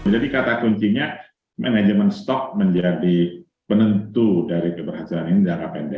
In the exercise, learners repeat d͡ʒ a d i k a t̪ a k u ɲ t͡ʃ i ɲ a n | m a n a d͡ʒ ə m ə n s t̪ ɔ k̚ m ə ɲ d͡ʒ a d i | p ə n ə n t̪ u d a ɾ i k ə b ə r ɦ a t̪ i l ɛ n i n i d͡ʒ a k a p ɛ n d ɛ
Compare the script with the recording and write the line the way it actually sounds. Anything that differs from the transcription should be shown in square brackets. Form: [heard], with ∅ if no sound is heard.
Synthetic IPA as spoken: d͡ʒ a d i k a t̪ a k u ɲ t͡ʃ i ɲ a [∅] | m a n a d͡ʒ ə m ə n s t̪ ɔ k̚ m ə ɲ d͡ʒ a d i | p ə n ə n t̪ u d a ɾ i k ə b ə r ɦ a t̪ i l [a] n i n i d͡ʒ a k a p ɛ n d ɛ